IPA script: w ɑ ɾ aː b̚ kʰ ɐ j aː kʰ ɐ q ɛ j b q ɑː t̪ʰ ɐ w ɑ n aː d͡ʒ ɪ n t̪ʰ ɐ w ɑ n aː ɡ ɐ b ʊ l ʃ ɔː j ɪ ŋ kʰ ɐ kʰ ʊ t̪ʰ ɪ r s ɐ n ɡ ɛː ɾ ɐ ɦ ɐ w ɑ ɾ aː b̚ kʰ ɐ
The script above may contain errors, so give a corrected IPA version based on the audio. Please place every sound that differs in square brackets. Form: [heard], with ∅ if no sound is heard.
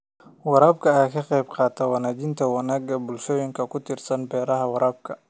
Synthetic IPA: w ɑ ɾ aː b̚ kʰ ɐ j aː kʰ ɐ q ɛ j b q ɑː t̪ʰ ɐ w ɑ n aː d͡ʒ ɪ n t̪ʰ ɐ w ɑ n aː ɡ ɐ b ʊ l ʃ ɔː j ɪ ŋ kʰ ɐ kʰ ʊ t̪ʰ ɪ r s ɐ n [b] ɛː ɾ ɐ ɦ ɐ w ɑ ɾ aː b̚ kʰ ɐ